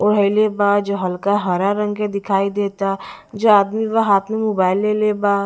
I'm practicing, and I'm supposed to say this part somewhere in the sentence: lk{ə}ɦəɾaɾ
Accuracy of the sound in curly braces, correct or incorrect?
incorrect